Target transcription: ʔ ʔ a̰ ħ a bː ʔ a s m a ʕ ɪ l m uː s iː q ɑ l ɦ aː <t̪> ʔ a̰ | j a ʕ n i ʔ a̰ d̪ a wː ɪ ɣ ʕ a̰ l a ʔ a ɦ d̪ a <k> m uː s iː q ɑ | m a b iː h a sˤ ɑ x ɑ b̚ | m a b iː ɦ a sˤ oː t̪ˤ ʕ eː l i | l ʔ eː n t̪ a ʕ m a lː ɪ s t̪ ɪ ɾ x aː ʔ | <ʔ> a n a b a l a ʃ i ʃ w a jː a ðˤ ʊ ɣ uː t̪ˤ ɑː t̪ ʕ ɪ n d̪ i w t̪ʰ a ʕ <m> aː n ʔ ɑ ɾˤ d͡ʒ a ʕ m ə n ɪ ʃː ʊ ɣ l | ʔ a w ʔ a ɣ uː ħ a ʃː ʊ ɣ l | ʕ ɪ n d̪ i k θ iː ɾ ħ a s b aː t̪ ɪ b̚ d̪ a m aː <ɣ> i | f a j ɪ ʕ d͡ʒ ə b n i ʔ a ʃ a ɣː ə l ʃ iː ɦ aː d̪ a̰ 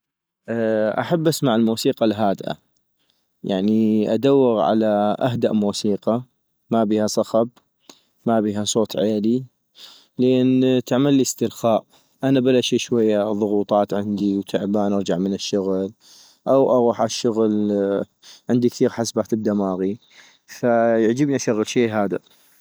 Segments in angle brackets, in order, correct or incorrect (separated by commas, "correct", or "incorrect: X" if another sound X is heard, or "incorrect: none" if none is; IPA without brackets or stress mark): incorrect: d̪, incorrect: ʔ, correct, incorrect: b, correct